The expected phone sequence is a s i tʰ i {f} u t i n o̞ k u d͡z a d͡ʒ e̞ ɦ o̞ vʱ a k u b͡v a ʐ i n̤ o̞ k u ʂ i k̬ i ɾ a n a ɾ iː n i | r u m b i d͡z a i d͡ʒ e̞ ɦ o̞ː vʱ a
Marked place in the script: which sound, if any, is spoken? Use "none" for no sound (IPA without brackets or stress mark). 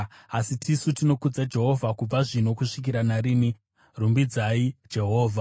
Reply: s